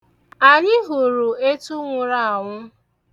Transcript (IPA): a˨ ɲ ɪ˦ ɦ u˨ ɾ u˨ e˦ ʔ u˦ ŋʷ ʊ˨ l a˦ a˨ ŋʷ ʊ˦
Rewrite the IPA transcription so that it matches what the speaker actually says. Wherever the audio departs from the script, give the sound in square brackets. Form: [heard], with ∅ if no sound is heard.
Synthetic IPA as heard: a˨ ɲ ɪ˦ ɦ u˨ ɾ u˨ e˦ [t] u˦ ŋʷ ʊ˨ [ɾ] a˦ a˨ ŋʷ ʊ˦